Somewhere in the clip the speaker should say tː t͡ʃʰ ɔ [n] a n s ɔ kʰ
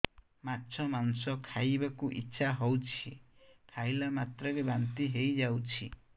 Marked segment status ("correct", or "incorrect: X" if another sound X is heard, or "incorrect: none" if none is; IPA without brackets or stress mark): incorrect: m